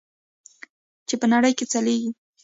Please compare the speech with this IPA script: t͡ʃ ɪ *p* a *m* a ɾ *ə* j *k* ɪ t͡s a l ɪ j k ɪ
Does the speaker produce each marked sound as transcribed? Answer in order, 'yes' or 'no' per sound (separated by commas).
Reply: yes, no, no, yes